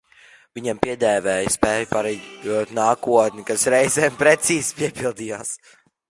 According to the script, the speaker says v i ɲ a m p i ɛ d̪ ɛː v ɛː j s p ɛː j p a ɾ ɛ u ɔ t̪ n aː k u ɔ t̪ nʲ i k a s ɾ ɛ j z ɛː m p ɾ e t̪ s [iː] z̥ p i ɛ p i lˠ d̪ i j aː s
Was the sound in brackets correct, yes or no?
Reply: yes